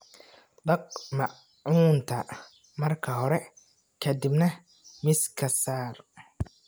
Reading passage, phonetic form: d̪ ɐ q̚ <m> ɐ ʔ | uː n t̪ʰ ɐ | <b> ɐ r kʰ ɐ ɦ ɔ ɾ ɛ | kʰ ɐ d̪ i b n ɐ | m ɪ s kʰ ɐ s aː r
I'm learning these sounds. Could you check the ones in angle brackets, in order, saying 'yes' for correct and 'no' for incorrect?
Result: yes, no

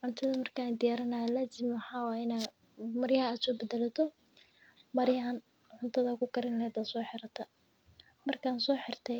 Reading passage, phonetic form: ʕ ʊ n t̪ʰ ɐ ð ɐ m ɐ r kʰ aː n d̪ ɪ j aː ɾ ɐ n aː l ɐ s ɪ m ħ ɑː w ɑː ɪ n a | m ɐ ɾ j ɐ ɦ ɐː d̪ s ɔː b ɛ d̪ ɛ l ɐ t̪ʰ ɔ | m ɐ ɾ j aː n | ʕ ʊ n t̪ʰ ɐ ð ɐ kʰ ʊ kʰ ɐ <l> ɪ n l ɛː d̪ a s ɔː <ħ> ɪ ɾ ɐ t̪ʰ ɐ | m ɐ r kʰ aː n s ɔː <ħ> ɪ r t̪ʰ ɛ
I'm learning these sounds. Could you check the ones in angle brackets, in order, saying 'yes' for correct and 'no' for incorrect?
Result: no, yes, yes

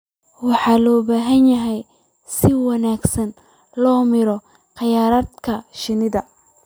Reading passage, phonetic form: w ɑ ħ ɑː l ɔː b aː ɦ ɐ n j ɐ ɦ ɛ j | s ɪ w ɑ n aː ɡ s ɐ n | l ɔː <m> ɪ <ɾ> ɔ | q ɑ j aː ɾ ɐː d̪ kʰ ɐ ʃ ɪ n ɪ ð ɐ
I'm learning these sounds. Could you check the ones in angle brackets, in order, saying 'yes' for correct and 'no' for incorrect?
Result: yes, yes

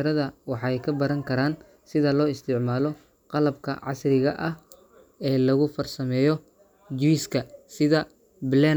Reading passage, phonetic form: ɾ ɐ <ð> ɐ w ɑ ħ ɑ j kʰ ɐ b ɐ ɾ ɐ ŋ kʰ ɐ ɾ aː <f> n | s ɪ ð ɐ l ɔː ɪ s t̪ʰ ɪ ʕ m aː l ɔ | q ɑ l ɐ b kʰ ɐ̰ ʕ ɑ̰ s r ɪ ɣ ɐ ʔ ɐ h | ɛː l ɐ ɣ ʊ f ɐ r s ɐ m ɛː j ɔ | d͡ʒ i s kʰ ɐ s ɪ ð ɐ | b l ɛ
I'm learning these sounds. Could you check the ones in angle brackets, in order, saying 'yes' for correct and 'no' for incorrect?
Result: yes, no

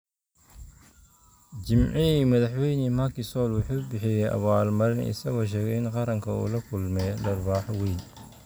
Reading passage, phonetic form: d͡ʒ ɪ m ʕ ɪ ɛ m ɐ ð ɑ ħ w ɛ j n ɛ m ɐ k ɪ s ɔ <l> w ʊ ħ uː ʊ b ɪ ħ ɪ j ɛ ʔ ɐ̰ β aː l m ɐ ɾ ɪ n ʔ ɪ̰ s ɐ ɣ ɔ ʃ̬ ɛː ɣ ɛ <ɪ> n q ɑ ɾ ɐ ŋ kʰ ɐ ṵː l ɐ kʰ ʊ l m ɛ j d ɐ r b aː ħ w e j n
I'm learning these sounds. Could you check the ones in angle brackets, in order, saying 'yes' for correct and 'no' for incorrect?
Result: yes, yes

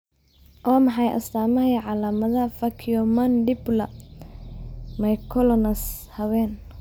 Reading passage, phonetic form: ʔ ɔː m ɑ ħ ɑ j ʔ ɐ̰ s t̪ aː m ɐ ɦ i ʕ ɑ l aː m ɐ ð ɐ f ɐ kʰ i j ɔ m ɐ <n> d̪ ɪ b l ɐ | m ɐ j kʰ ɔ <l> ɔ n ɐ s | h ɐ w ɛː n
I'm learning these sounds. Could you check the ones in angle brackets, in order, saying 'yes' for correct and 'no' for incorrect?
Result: yes, yes

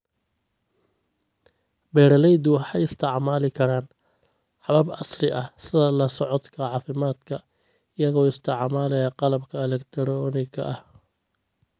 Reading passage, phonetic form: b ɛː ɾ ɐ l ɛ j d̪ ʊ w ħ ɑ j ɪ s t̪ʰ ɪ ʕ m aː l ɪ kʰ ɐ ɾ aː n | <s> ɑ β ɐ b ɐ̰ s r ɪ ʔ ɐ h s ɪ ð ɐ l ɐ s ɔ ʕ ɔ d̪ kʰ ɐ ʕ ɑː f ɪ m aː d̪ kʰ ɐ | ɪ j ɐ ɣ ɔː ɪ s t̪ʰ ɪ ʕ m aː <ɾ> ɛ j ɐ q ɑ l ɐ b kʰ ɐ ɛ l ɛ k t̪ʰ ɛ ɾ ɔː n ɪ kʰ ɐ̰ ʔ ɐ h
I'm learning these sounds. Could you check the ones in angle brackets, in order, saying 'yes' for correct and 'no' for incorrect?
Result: no, no

